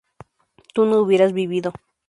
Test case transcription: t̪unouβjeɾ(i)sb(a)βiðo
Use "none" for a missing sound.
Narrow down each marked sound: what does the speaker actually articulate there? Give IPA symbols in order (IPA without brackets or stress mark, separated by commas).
a, i